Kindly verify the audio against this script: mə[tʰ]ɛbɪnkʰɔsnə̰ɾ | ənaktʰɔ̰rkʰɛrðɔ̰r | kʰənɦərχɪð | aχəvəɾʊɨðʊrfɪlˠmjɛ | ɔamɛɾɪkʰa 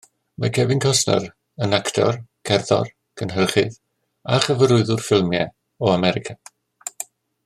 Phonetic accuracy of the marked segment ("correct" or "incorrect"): incorrect